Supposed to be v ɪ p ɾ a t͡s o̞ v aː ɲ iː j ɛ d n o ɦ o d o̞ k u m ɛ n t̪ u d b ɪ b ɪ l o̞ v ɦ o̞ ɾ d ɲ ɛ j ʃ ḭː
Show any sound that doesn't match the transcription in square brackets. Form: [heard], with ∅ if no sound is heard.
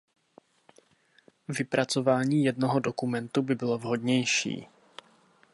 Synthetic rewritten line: v ɪ p ɾ a t͡s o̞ v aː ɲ iː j ɛ d n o ɦ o d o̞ k u m ɛ n t̪ u [∅] b ɪ b ɪ l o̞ v ɦ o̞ [∅] d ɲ ɛ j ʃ ḭː